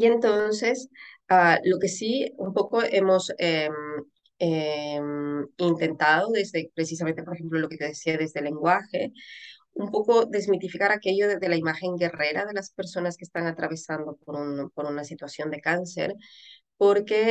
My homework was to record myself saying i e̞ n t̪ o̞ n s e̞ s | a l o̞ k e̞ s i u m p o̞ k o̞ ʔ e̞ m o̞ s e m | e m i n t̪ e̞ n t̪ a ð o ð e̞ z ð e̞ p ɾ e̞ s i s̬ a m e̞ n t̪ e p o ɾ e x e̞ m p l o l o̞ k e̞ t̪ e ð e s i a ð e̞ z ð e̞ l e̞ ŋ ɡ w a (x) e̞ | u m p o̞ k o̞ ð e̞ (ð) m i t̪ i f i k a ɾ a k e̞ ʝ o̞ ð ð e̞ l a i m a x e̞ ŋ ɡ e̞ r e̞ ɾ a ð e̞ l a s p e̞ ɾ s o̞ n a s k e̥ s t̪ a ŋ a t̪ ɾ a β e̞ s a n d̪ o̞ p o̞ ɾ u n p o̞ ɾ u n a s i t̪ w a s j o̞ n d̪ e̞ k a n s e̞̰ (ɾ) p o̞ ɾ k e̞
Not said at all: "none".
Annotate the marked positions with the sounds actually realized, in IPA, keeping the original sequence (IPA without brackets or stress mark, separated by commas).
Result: x, z, ɾ